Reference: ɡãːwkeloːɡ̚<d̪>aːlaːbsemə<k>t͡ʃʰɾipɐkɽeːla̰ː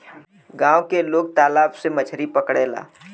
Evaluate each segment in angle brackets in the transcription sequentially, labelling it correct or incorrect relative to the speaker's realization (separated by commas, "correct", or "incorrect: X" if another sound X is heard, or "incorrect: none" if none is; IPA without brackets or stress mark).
incorrect: t̪, incorrect: none